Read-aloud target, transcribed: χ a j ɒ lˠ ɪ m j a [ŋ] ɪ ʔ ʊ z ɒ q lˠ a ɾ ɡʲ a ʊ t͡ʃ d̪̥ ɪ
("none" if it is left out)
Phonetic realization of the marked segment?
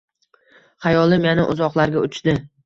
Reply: n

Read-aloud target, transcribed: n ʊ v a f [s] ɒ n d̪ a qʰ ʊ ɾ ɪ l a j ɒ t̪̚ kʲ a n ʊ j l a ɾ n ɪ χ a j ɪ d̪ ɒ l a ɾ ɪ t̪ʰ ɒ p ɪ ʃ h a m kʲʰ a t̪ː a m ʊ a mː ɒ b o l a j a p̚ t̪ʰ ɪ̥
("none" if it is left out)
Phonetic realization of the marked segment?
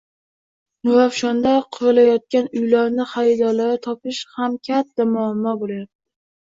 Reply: ʃ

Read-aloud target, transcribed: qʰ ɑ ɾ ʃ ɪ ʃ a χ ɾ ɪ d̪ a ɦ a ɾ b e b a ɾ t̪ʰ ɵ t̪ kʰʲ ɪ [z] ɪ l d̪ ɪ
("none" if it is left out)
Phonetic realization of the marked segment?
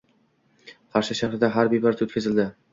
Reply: z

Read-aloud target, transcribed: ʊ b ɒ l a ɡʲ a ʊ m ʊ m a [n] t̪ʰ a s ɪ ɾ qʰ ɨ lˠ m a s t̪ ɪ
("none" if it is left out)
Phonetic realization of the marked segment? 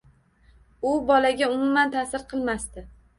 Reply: n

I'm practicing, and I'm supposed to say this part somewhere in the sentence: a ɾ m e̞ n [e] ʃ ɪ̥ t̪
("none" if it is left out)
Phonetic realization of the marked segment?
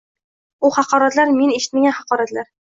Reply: e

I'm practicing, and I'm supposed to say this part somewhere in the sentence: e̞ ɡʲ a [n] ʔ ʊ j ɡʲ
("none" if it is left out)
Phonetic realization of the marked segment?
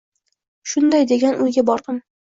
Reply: n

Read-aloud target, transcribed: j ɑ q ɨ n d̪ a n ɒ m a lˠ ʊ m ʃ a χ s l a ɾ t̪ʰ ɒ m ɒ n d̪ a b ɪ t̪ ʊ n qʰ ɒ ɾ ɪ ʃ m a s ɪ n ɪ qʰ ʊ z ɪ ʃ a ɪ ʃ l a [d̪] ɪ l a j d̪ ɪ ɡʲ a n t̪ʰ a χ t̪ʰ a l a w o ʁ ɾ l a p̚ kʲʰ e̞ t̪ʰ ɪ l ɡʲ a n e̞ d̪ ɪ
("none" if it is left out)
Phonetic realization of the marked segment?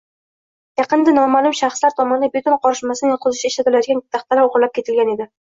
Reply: t̪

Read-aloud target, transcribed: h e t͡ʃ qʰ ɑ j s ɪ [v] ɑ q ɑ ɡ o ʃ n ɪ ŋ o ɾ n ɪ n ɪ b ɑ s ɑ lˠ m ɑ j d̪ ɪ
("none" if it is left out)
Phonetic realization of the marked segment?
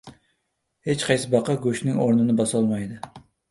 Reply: b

